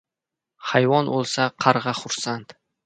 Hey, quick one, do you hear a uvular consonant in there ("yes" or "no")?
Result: yes